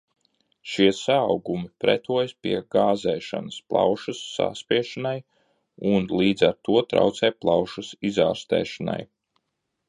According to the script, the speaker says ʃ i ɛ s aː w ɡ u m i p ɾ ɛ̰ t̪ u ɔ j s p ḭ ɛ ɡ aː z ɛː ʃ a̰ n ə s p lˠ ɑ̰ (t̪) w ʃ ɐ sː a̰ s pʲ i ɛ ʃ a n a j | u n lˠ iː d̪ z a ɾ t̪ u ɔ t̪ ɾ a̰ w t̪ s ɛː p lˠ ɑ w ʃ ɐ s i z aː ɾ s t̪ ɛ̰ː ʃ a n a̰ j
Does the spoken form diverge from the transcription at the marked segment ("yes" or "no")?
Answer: yes